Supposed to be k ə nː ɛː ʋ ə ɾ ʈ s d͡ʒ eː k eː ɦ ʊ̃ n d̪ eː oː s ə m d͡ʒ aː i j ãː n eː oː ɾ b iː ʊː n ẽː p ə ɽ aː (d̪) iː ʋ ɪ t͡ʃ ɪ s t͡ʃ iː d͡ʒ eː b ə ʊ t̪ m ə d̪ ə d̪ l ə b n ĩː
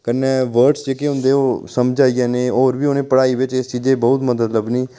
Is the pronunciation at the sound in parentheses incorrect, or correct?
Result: incorrect: none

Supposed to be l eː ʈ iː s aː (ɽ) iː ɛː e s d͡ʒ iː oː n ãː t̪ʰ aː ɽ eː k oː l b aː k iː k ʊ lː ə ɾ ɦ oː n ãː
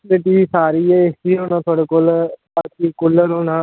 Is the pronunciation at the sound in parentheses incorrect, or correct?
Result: incorrect: ɾ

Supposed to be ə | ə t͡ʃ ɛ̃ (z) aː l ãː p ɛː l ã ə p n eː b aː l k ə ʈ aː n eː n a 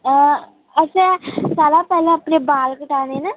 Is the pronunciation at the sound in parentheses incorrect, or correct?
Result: incorrect: s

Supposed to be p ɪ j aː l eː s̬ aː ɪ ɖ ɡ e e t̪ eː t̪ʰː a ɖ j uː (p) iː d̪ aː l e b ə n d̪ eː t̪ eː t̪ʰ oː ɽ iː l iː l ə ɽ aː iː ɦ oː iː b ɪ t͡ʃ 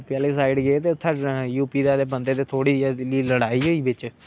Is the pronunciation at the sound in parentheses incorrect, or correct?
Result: correct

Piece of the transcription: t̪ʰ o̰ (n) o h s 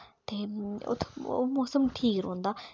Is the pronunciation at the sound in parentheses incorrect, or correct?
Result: incorrect: m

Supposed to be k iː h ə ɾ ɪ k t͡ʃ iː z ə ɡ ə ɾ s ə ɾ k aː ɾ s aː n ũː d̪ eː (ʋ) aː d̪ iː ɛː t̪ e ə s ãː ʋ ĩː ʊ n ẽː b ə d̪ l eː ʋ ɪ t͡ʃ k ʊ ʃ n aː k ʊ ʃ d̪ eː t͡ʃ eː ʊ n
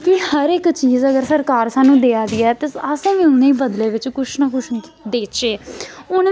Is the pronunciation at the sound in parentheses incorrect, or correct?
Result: incorrect: none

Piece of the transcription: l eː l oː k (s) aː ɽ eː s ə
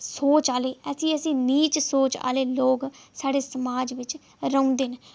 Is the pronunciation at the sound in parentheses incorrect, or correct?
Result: correct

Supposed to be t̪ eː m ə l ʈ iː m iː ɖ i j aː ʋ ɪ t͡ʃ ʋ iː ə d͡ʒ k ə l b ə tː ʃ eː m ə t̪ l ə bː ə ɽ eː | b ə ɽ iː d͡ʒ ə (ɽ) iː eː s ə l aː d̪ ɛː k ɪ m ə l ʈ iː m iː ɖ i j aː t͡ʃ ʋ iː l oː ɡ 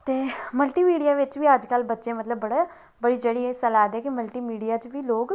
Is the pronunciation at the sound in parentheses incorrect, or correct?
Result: correct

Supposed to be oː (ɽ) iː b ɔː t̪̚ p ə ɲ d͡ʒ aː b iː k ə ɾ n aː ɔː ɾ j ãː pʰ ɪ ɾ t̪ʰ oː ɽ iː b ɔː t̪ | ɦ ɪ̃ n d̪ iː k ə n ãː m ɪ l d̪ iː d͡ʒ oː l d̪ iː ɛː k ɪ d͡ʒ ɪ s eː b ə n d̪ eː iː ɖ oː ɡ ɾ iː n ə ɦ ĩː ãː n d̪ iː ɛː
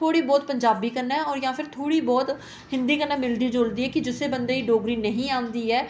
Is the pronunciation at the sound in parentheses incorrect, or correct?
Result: correct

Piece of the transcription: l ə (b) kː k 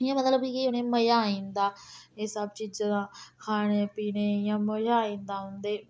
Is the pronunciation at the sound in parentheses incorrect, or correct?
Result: correct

